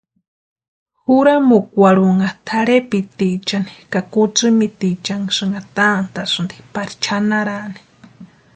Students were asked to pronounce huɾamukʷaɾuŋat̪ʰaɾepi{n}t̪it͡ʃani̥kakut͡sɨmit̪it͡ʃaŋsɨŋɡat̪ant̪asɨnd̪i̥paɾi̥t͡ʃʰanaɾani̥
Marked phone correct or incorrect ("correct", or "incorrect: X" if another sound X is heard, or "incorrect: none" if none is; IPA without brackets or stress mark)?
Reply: incorrect: none